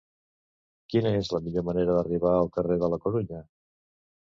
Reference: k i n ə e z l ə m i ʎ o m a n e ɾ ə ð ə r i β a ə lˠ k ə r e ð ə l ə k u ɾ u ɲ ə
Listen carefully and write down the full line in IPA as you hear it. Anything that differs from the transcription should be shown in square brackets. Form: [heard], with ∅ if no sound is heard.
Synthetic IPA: k i n ə e z l ə m i ʎ o m [ə] n e ɾ ə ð ə r i β a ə lˠ k ə r e ð ə l ə k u ɾ u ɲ ə